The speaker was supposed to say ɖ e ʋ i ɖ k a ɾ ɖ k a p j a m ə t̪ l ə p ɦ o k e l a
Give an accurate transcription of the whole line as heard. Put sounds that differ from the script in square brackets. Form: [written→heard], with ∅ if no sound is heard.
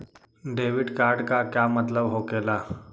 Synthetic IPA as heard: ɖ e ʋ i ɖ k a ɾ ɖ k a [p→k] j a m ə t̪ l ə [p→b] ɦ o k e l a

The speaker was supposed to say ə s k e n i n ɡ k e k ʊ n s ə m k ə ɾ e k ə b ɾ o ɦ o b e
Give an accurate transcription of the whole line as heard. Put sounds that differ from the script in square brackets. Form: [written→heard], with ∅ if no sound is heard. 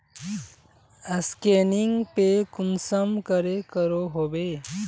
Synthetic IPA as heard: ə s k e n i [n→ŋ] ɡ [k→p] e k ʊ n s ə m k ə ɾ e k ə [b→∅] ɾ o ɦ o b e

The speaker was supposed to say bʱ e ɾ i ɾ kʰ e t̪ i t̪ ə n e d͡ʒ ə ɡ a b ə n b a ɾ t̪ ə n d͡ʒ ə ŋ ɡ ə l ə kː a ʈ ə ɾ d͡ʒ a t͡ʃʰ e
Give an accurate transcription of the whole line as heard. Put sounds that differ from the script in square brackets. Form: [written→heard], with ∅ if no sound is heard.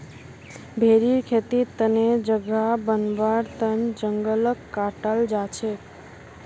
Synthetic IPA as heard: bʱ e ɾ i ɾ kʰ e t̪ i t̪ ə n e d͡ʒ ə ɡ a b ə n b a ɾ t̪ ə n d͡ʒ ə ŋ ɡ ə l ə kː a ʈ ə [ɾ→l] d͡ʒ a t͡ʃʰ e

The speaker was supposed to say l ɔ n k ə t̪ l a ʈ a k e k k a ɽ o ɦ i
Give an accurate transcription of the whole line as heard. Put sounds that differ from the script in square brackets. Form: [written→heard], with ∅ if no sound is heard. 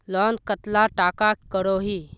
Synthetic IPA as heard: l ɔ n k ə t̪ l a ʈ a k [e→a] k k [a→ə] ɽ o ɦ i

